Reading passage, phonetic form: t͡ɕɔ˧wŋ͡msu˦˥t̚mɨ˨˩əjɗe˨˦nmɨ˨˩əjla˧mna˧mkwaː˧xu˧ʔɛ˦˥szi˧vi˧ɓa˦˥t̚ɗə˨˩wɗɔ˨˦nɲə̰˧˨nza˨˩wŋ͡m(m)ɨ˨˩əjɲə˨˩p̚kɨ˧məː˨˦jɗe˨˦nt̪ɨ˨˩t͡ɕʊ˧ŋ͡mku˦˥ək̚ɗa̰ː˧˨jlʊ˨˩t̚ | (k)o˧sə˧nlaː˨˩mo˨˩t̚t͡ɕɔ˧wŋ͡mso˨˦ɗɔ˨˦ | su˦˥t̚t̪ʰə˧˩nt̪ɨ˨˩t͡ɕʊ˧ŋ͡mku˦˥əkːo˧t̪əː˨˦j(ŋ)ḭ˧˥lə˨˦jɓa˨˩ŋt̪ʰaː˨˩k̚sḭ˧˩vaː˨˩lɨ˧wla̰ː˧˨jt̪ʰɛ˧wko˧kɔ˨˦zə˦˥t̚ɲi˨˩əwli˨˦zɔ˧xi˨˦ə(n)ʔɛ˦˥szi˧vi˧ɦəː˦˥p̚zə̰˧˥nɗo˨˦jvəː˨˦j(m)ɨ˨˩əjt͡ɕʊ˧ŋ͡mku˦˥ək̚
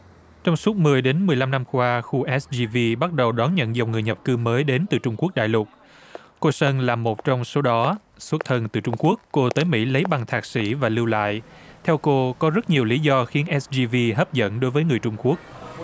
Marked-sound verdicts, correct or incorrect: incorrect: ŋ, correct, incorrect: m, correct, incorrect: ŋ

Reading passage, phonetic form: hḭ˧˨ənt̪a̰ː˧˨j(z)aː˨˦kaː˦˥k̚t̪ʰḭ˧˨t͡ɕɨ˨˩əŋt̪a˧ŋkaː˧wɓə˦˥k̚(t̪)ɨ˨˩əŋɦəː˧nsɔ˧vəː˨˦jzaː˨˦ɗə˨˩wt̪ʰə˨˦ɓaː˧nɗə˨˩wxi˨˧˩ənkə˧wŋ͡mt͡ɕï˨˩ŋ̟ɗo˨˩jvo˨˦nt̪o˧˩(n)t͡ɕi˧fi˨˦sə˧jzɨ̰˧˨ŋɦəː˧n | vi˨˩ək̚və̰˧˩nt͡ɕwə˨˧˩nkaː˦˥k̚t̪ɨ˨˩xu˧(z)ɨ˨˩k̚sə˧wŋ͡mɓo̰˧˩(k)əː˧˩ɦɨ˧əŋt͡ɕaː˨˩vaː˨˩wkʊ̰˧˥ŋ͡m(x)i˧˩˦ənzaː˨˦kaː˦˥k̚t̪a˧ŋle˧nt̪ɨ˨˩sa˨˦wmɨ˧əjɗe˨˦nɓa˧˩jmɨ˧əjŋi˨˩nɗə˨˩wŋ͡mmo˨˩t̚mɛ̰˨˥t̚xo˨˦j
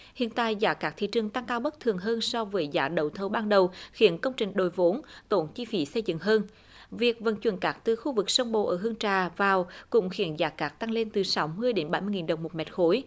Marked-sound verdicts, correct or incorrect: correct, incorrect: t̪ʰ, correct, incorrect: v, incorrect: ʔ, correct

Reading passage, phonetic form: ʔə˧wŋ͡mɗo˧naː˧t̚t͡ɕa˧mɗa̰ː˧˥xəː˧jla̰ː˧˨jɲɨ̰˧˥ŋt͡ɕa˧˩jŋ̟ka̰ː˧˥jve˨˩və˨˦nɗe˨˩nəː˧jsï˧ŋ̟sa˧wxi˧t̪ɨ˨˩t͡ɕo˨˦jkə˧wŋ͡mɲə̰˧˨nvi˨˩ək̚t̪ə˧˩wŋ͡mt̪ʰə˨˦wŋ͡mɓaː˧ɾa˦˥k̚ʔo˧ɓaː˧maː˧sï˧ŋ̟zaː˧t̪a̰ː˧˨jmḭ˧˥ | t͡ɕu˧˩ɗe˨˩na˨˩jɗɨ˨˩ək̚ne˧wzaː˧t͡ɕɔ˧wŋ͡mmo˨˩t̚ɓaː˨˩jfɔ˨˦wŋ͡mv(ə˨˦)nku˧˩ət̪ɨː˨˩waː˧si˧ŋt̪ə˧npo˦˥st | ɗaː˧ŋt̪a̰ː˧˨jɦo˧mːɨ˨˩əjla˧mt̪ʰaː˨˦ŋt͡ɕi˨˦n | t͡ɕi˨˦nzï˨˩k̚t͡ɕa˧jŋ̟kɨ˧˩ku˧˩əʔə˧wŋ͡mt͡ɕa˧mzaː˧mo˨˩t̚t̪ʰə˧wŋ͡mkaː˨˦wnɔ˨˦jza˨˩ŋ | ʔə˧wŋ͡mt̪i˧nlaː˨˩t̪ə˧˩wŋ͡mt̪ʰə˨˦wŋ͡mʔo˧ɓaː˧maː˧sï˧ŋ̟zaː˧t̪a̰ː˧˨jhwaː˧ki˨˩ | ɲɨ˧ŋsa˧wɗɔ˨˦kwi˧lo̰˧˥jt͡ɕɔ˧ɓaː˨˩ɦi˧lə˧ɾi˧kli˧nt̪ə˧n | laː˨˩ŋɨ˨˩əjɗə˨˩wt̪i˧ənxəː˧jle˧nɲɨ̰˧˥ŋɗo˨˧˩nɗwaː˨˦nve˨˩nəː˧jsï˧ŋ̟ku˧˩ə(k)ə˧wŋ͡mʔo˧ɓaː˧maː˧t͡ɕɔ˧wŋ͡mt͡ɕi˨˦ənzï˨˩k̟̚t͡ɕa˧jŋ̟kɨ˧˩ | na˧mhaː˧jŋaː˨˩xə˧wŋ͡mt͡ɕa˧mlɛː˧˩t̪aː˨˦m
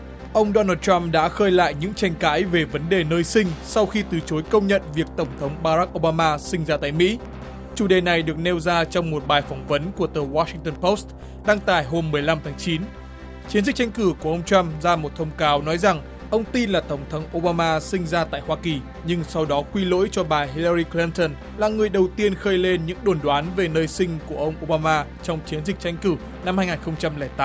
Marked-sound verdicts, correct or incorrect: correct, incorrect: ʔ

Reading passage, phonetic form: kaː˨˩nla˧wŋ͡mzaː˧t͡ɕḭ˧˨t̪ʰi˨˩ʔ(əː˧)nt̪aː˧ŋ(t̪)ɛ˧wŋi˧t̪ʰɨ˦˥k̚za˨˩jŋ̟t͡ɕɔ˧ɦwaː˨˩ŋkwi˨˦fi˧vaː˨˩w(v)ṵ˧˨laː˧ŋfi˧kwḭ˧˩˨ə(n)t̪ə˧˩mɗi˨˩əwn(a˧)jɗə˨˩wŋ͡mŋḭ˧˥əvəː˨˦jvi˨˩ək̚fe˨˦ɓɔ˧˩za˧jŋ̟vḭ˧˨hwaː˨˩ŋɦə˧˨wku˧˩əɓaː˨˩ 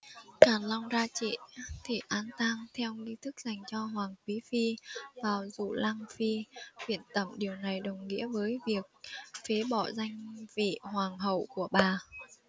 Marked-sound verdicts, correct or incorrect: incorrect: aː˧, incorrect: t̪ʰ, incorrect: z, correct, incorrect: a˨˩

